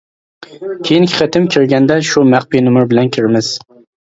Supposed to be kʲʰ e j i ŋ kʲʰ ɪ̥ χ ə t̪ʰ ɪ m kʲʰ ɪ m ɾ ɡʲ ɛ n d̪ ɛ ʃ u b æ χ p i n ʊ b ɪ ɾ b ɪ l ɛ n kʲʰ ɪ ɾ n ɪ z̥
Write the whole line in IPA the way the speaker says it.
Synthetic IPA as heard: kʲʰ e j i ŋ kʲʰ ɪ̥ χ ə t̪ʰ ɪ m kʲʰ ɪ ɾ ɡʲ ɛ n d̪ ɛ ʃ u m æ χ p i n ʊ m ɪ ɾ b ɪ l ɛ n kʲʰ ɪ ɾ m ɪ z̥

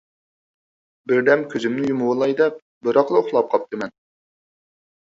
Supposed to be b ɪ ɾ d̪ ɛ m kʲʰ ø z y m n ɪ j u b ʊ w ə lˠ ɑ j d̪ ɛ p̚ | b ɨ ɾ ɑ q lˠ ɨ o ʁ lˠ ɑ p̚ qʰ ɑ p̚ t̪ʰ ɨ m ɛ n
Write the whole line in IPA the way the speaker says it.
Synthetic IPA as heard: b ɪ ɾ d̪ ɛ m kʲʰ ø z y m n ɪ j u m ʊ w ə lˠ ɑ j d̪ ɛ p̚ | b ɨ ɾ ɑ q lˠ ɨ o χ lˠ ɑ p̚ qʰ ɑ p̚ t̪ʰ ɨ m ɛ n

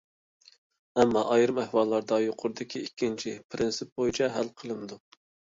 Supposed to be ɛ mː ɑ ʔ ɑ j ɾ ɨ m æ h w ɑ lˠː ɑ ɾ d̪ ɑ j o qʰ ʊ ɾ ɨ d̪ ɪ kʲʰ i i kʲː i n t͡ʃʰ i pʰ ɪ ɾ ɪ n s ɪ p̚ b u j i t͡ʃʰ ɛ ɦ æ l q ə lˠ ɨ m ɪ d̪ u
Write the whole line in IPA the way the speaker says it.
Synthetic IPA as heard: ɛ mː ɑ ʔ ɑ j ɾ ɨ m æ h w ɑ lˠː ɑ ɾ d̪ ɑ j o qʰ ʊ ɾ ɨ d̪ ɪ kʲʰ i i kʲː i n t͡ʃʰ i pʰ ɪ ɾ ɪ n s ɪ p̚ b o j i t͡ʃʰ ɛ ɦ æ l qʰ ə lˠ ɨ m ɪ d̪ u

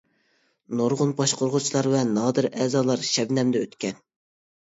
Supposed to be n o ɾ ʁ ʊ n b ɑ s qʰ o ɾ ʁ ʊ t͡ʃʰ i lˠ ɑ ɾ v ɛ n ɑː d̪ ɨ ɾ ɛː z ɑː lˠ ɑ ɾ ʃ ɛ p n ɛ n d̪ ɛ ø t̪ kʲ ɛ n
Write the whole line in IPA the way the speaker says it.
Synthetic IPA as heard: n o ɾ ʁ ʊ n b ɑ ʃ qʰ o ɾ ʁ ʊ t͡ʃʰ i lˠ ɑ ɾ v ɛ n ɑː d̪ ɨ ɾ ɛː z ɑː lˠ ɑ ɾ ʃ ɛ b n ɛ m d̪ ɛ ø t̪ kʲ ɛ n

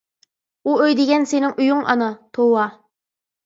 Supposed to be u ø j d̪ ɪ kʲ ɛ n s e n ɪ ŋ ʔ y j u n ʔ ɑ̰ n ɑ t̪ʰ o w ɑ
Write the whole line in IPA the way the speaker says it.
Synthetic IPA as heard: u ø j d̪ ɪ ɡʲ ɛ n s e n ɪ ŋ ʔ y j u ŋ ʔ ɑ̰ n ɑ t̪ʰ o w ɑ

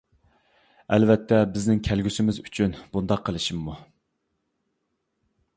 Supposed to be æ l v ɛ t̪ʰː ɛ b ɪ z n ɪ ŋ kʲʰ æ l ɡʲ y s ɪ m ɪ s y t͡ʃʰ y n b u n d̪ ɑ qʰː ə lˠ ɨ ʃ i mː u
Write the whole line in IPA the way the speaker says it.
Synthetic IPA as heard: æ l v ɛ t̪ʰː ɛ b ɪ z n ɪ ŋ kʲʰ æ l ɡʲ y s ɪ m ɪ z y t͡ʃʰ y n b u n d̪ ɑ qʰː ə lˠ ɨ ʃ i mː u

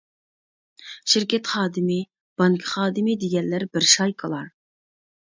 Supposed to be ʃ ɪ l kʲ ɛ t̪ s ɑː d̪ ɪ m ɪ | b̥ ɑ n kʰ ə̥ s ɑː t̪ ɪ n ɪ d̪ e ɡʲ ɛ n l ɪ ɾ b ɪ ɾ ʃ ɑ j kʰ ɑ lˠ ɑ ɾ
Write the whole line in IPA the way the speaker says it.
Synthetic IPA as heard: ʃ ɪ ɾ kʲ ɛ t̪ χ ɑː d̪ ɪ m ɪ | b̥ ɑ ŋ kʰ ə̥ χ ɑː d̪ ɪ m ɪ d̪ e ɡʲ ɛ n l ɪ ɾ b ɪ ɾ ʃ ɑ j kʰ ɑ lˠ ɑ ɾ

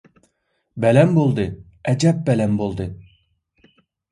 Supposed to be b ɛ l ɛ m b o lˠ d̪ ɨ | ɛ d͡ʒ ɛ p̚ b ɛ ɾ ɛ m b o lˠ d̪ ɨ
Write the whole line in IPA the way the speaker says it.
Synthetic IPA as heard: b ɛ l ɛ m b o lˠ d̪ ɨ | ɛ d͡ʒ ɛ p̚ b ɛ l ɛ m b o lˠ d̪ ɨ

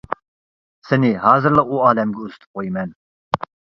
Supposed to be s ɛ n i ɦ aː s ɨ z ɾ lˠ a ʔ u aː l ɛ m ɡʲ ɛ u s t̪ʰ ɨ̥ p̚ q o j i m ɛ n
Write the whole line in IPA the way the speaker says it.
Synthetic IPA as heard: s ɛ n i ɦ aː z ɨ ɾ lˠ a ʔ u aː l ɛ m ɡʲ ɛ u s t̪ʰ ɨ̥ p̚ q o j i m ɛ n

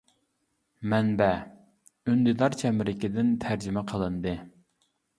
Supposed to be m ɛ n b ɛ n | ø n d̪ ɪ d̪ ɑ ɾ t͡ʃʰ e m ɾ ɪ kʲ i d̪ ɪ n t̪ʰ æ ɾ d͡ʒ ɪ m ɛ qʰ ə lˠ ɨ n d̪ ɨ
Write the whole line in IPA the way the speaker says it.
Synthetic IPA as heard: m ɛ n b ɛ | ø n d̪ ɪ d̪ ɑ ɾ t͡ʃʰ ɛ m ɾ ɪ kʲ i d̪ ɪ n t̪ʰ æ ɾ d͡ʒ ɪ m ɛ qʰ ə lˠ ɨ n d̪ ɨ

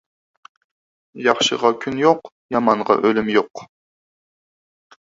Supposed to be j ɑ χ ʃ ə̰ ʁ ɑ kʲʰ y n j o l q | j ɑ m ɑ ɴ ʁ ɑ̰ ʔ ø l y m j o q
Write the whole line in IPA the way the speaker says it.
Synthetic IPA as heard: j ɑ χ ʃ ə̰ ʁ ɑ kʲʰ y n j o q | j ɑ m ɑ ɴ ʁ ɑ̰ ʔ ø l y m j o q

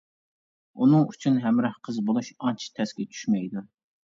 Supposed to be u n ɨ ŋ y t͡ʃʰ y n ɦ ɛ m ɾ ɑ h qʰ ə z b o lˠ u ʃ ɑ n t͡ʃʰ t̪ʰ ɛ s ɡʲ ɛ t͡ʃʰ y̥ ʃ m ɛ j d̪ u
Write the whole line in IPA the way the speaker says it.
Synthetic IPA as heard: u n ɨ ŋ y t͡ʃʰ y n ɦ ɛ m ɾ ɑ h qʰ ə z b o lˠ u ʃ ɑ n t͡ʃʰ t̪ʰ ɛ s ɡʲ ɛ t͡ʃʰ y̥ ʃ m ɛ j d̪ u

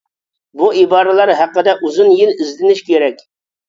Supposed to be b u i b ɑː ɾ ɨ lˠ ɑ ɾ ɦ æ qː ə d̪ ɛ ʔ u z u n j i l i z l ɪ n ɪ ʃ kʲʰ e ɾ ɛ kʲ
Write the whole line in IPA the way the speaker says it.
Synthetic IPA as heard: b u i b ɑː ɾ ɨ lˠ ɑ ɾ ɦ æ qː ə d̪ ɛ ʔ u z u n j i l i z l ɪ n ɪ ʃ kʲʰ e ɾ ɛ kʲ

